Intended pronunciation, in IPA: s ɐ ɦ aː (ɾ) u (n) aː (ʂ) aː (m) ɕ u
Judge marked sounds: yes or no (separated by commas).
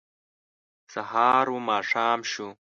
yes, no, yes, yes